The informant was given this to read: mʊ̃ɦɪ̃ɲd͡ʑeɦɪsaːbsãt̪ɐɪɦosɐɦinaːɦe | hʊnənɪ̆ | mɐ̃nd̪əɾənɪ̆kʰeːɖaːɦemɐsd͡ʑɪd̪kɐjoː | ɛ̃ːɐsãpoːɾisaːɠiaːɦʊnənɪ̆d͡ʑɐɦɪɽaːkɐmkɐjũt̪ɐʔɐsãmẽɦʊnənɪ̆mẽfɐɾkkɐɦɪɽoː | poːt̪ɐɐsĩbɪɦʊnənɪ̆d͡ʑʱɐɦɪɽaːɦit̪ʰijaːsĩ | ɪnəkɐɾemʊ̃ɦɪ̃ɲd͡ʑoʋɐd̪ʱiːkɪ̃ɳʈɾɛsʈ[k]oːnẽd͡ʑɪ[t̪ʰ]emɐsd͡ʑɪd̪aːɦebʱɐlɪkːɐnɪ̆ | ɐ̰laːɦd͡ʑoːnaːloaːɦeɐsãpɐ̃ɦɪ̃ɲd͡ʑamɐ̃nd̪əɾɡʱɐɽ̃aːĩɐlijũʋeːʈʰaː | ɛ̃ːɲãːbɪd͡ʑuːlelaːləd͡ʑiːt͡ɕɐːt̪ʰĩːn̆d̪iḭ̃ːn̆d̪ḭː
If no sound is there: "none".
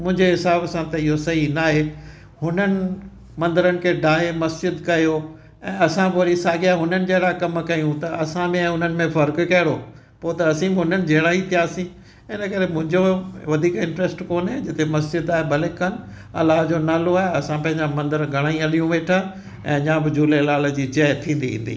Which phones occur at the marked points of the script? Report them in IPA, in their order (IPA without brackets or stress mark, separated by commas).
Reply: k, t̪